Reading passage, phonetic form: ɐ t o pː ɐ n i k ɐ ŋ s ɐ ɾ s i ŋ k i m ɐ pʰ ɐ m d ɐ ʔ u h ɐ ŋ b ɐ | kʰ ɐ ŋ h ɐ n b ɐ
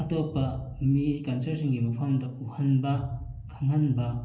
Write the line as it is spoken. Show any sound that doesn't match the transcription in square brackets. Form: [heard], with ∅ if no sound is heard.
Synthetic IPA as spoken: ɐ t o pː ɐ [m] i k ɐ [n] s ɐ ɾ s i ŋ [ɡ] i m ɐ pʰ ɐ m d ɐ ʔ u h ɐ [n] b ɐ | kʰ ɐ ŋ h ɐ n b ɐ